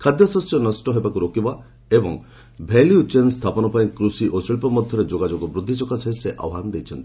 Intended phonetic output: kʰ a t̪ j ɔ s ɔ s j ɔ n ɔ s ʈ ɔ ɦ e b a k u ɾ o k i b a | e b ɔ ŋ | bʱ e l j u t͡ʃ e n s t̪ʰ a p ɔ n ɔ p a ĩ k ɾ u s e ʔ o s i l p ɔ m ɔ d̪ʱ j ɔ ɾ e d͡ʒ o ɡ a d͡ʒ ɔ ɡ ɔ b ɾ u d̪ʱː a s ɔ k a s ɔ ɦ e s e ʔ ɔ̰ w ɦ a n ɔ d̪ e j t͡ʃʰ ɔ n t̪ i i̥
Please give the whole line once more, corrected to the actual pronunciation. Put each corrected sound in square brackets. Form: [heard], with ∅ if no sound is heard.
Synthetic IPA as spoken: kʰ a [d̪] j ɔ s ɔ s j ɔ n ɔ s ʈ ɔ ɦ e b a k u ɾ o k i b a | e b ɔ ŋ | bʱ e l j u t͡ʃ e n s t̪ʰ a p ɔ n ɔ p a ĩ k ɾ u s [i] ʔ o s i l p ɔ m ɔ d̪ʱ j ɔ ɾ e d͡ʒ o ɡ a d͡ʒ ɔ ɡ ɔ b ɾ u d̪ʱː [i] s ɔ k a s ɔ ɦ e s e ʔ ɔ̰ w ɦ a n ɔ d̪ e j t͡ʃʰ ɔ n t̪ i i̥

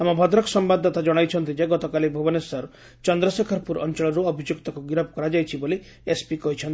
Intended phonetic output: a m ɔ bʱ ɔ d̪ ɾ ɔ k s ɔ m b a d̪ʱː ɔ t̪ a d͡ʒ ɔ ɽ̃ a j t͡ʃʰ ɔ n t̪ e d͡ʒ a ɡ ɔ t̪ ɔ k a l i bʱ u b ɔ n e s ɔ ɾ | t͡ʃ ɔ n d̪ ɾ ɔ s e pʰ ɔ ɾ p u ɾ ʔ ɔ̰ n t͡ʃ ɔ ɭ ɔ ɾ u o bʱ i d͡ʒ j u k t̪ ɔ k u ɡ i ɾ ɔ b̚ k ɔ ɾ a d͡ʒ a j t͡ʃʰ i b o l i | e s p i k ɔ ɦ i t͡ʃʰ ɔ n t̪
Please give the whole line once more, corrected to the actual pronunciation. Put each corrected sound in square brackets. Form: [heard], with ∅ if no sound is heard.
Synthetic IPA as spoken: a m ɔ bʱ ɔ d̪ ɾ ɔ k s ɔ m b a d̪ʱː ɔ t̪ a d͡ʒ ɔ ɽ̃ a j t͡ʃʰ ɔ n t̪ [i] d͡ʒ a ɡ ɔ t̪ ɔ k a l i bʱ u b ɔ n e s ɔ ɾ | t͡ʃ ɔ n d̪ ɾ ɔ s e [kʰ] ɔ ɾ p u ɾ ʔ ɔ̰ n t͡ʃ ɔ ɭ ɔ ɾ u [ɔ] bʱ i d͡ʒ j u k t̪ ɔ k u ɡ i ɾ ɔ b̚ k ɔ ɾ a d͡ʒ a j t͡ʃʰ i b o l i | e s p i k ɔ ɦ i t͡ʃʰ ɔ n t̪

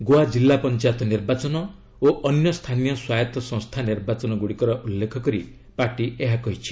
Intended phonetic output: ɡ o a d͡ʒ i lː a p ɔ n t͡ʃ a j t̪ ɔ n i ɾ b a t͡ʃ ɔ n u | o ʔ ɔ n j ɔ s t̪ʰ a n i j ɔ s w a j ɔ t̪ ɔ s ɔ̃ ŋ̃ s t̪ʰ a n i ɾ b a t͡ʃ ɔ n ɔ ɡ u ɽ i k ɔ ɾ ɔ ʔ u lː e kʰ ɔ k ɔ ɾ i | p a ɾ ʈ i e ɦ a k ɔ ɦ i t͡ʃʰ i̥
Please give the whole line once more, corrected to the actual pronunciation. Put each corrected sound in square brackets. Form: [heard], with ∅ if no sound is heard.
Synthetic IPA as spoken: ɡ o a d͡ʒ i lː a p ɔ n t͡ʃ a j t̪ ɔ n i ɾ b a t͡ʃ ɔ n [ɔ] | o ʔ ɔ n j ɔ s t̪ʰ a n i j ɔ s w a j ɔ t̪ ɔ s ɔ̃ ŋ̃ s t̪ʰ a n i ɾ b a t͡ʃ ɔ n ɔ ɡ u ɽ i k ɔ ɾ ɔ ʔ u lː e kʰ ɔ k ɔ ɾ i | p a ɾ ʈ i e ɦ a k ɔ ɦ i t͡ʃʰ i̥

